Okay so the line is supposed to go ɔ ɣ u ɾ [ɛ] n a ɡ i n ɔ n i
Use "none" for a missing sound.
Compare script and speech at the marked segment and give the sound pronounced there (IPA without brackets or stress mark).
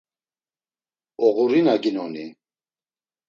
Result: i